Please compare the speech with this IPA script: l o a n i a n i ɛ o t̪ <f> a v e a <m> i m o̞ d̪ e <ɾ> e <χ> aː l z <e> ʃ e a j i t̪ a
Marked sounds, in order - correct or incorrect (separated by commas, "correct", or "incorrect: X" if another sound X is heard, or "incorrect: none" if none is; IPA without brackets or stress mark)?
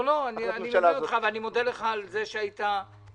incorrect: χ, incorrect: n, incorrect: l, correct, correct